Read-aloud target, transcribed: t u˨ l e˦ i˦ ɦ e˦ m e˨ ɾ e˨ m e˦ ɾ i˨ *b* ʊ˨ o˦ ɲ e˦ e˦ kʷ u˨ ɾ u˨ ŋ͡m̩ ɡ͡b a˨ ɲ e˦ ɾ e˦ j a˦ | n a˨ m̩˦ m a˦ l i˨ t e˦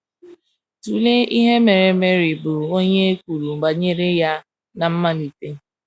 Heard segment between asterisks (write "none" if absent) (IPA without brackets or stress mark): b